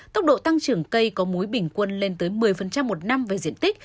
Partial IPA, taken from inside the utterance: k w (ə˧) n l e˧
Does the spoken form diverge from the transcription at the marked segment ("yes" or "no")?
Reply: no